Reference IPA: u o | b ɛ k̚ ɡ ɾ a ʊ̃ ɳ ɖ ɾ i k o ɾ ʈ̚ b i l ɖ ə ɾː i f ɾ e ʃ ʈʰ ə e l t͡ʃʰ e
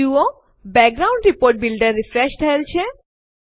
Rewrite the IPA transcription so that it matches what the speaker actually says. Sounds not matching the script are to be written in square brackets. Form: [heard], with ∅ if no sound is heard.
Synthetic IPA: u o | b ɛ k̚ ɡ ɾ a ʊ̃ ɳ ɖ ɾ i [p] o ɾ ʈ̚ b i l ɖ ə ɾː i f ɾ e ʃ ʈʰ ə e l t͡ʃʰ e